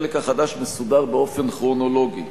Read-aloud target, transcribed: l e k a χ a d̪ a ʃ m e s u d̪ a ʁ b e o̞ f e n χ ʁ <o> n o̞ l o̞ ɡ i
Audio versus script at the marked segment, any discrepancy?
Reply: no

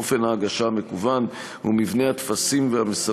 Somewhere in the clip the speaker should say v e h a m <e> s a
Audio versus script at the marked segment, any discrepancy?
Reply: no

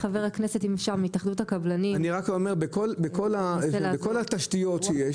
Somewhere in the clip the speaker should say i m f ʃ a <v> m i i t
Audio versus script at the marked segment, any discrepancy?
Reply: yes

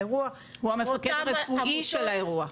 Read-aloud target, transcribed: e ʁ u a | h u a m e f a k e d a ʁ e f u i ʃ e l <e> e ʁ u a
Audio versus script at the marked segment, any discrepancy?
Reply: yes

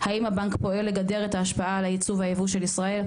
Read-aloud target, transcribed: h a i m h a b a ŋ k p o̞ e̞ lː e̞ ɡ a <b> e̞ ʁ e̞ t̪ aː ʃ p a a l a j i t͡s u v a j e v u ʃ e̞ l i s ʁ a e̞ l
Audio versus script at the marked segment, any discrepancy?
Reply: yes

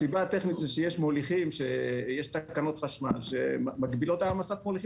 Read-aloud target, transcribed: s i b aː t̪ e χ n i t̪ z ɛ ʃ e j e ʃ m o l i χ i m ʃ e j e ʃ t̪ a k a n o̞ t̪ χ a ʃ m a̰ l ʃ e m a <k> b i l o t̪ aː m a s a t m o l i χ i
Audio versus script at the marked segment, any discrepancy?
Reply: yes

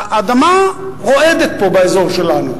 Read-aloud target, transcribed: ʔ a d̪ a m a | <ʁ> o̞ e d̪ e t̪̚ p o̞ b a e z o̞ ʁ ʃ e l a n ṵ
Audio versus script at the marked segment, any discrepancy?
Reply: no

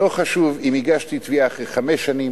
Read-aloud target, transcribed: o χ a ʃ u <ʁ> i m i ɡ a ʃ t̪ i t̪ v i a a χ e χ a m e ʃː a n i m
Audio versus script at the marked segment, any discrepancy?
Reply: yes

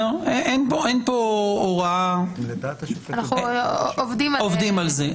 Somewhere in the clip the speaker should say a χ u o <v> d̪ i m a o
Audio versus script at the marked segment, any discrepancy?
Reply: no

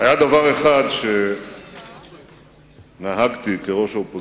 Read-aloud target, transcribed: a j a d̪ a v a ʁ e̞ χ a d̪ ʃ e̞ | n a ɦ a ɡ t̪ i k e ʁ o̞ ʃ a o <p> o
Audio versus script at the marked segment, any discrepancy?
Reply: no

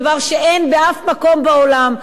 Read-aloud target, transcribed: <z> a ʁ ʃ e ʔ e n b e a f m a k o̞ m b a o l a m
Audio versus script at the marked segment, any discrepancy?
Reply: yes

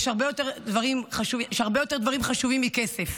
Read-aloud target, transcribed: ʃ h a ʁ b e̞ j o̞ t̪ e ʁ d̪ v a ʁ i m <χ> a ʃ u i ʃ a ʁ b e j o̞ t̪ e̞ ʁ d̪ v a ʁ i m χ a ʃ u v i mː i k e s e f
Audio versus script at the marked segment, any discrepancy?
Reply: no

